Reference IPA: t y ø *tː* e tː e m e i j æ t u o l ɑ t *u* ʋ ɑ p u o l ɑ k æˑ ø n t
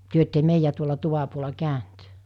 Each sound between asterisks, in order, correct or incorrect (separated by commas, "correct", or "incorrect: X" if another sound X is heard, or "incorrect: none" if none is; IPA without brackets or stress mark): incorrect: none, correct